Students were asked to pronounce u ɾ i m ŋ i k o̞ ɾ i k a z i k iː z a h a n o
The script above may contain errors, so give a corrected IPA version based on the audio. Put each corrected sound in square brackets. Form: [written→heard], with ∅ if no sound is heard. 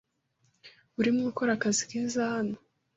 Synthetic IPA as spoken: u ɾ i m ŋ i k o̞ ɾ [i→a] k a z i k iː z a h a n o